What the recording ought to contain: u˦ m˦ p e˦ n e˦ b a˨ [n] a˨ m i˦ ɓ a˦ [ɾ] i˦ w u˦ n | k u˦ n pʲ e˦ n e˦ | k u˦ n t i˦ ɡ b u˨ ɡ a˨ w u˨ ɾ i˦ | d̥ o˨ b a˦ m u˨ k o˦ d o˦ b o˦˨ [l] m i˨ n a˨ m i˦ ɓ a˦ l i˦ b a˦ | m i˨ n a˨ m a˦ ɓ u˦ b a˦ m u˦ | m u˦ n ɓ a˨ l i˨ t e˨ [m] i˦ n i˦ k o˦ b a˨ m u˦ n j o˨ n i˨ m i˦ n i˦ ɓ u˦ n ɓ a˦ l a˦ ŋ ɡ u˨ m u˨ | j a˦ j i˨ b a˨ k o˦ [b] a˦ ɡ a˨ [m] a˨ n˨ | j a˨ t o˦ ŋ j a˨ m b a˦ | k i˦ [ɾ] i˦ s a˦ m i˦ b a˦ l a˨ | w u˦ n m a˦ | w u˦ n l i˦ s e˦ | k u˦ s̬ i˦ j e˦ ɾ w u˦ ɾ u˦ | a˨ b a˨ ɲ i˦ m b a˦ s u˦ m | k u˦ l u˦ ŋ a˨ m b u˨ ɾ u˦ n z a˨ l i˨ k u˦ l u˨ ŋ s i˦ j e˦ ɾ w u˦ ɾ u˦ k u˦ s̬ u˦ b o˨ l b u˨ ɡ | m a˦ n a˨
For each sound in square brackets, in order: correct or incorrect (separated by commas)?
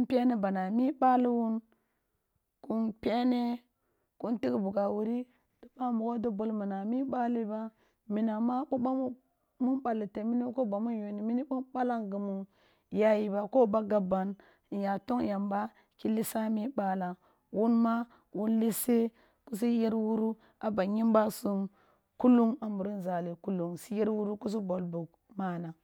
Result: correct, incorrect, correct, correct, correct, incorrect, incorrect